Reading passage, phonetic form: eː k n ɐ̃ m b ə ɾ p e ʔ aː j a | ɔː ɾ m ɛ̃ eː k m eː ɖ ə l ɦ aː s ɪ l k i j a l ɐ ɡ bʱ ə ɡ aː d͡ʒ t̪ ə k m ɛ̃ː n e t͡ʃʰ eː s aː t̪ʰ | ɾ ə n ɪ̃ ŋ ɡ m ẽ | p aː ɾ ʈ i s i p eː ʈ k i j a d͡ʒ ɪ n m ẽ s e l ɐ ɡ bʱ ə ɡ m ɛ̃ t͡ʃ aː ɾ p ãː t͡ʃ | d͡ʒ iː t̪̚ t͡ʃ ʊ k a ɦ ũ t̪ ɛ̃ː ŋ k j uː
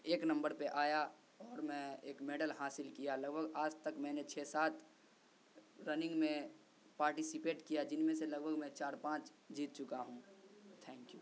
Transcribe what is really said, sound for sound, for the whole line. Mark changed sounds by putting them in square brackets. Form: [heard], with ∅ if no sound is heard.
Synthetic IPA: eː k n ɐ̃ m b ə ɾ p e ʔ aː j a | ɔː ɾ m ɛ̃ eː k m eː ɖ ə l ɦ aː s ɪ l k i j a l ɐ ɡ bʱ ə ɡ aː d͡ʒ t̪ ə k m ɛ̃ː n e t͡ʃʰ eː s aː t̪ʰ | ɾ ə n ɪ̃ ŋ ɡ m ẽ | p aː ɾ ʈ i s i p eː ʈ k i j a d͡ʒ ɪ n m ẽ s e l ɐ ɡ bʱ ə ɡ m ɛ̃ t͡ʃ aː ɾ p ãː t͡ʃ | d͡ʒ iː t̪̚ t͡ʃ ʊ k a ɦ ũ [t̪ʰ] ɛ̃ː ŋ k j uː